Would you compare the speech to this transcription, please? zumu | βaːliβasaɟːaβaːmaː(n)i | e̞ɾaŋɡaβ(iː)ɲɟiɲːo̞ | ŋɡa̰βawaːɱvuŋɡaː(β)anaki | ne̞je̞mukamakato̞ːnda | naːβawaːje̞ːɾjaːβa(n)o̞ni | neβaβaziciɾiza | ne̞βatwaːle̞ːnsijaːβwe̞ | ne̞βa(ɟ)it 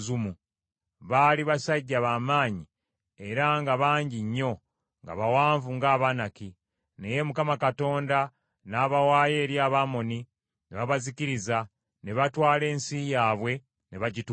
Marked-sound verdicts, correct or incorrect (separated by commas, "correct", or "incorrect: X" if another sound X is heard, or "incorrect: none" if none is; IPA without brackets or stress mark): incorrect: ɲ, incorrect: aː, correct, incorrect: m, correct